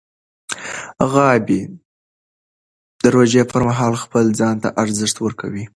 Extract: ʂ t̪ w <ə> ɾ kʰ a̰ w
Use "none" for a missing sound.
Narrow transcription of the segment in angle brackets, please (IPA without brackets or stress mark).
ə